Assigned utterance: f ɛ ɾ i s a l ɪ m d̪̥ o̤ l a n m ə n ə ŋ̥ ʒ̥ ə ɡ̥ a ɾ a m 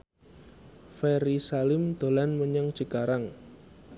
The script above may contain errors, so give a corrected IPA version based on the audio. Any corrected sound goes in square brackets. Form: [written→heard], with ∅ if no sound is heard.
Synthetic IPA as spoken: f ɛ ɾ i s a l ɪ m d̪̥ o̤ l a n m ə [n→ɲ] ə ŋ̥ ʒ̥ ə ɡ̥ a ɾ a [m→ŋ]